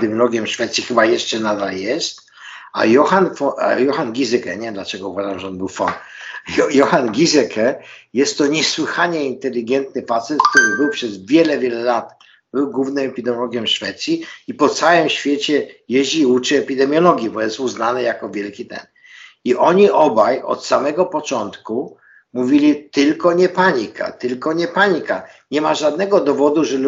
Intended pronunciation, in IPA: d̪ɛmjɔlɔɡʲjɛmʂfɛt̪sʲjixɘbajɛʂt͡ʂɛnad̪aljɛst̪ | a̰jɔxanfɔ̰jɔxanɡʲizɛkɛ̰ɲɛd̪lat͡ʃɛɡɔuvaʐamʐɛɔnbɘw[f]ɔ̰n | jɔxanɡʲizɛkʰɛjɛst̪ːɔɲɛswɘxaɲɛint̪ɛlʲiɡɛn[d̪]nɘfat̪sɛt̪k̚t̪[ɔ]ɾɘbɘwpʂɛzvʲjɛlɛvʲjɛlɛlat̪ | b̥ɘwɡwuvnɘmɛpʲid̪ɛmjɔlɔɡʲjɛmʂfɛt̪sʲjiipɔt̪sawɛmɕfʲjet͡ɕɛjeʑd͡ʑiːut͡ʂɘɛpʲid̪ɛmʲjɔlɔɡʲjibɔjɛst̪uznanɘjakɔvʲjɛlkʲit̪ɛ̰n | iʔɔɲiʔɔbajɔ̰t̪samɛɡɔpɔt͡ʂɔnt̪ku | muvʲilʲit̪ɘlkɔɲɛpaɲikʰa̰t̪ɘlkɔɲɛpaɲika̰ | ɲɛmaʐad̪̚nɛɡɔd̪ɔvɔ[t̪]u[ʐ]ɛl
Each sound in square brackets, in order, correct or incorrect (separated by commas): correct, incorrect, incorrect, incorrect, correct